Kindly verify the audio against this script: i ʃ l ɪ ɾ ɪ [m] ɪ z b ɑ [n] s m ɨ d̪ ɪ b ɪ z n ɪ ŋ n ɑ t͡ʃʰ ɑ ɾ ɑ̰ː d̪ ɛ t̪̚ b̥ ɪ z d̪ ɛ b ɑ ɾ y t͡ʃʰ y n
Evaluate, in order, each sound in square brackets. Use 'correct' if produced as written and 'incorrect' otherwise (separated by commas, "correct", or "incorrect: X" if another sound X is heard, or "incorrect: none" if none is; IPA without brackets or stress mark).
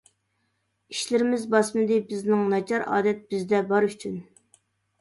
correct, incorrect: none